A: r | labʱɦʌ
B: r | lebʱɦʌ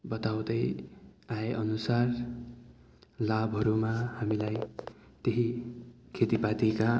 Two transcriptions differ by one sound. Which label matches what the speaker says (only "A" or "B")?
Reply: A